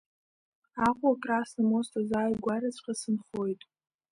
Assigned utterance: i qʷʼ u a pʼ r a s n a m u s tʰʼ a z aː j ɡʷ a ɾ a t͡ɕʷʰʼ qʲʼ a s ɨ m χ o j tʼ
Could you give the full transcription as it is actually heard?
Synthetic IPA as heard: a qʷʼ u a kʼ r a s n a m o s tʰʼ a z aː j ɡʷ a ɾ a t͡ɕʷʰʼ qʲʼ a s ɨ n χ o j tʼ